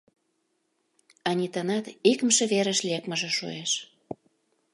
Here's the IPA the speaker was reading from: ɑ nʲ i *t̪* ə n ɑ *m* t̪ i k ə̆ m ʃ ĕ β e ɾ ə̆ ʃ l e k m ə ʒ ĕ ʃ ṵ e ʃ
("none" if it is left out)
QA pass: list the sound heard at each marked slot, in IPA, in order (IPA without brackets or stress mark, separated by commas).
t̪, none